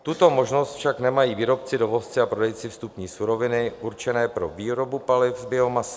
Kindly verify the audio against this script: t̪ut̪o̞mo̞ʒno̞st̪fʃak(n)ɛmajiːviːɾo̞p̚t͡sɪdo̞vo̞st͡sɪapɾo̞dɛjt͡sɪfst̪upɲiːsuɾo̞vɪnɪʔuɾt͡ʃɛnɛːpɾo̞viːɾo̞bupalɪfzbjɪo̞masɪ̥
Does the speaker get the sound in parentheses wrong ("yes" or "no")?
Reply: no